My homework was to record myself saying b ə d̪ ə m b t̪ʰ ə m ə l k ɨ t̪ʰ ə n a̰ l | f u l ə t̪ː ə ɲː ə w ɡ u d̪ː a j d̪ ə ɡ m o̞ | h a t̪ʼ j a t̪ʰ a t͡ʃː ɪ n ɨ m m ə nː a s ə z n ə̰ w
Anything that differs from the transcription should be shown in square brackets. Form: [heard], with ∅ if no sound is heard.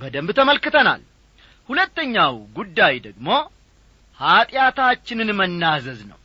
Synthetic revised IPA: b ə d̪ ə m b t̪ʰ ə m ə l k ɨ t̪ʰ ə n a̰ l | [h] u l ə t̪ː ə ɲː [a] w ɡ u d̪ː a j d̪ ə ɡ m o̞ | h a t̪ʼ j a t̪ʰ a t͡ʃː ɪ n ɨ [n] m ə nː a [z] ə z n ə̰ w